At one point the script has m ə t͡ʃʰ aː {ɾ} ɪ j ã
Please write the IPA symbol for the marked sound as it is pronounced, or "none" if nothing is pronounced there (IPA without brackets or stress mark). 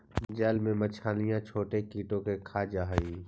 l